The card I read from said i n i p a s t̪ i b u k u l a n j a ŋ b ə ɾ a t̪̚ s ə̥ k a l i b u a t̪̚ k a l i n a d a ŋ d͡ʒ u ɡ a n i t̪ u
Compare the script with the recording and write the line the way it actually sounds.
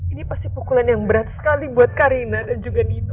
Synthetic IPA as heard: i n i p a s t̪ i p u k u l a n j a ŋ b ə ɾ a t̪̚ s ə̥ k a l i b u a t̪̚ k a ɾ i n a d a n d͡ʒ u ɡ a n i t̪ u